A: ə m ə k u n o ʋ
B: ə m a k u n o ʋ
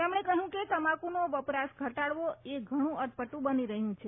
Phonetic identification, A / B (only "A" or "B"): B